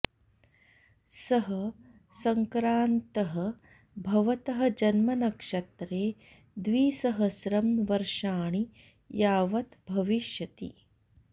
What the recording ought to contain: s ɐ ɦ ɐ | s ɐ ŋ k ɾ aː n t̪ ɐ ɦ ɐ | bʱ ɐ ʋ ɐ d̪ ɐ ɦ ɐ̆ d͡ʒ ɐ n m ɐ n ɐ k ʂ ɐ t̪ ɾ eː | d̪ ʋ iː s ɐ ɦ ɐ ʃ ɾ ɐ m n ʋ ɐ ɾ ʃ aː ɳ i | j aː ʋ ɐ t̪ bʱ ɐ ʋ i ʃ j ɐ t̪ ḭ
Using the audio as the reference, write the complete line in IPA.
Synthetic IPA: s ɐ ɦ ɐ | s ɐ ŋ k ɾ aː n t̪ ɐ ɦ ɐ | bʱ ɐ ʋ ɐ t̪ ɐ ɦ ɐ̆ d͡ʒ ɐ n m ɐ n ɐ k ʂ ɐ t̪ ɾ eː | d̪ ʋ iː s ɐ ɦ ɐ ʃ ɾ ɐ m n ʋ ɐ ɾ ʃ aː ɳ i | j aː ʋ ɐ t̪ bʱ ɐ ʋ i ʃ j ɐ t̪ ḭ